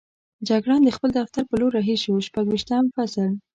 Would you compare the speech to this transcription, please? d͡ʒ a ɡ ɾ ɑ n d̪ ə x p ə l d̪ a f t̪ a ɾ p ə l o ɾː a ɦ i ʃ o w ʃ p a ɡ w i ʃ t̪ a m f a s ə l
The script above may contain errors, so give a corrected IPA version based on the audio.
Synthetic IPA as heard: d͡ʒ a ɡ ɽ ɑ n d̪ ə x p ə l d̪ a f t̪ a ɾ p ə l o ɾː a ɦ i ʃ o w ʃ p a ɡ w i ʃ t̪ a m f a s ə l